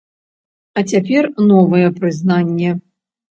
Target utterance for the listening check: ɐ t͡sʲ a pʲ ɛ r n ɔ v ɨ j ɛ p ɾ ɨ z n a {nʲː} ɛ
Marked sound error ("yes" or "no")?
no